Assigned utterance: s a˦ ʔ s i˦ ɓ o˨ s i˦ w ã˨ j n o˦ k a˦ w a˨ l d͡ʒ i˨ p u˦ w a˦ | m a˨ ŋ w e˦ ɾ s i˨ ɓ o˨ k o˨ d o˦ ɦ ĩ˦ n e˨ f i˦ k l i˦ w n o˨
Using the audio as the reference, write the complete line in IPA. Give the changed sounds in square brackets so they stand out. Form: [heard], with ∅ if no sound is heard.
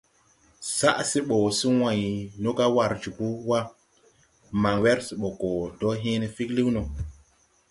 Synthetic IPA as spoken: s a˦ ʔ s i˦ ɓ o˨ s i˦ w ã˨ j n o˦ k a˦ w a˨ [ɾ] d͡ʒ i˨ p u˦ w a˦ | m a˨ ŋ w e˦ ɾ s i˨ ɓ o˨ k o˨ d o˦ ɦ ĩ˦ n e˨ f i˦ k l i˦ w n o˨